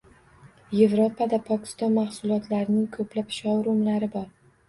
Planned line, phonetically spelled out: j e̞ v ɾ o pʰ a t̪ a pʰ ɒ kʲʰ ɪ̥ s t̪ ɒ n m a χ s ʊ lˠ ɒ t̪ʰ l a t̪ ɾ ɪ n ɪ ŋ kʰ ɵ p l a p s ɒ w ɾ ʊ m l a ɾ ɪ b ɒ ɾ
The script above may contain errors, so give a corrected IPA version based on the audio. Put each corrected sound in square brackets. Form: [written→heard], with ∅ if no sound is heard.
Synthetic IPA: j e̞ v ɾ o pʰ a [t̪→d̪] a pʰ ɒ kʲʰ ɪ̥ s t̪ ɒ n m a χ s ʊ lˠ ɒ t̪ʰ l a [t̪→∅] ɾ ɪ n ɪ ŋ kʰ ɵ p l a p [s→ʃ] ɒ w ɾ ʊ m l a ɾ ɪ b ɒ ɾ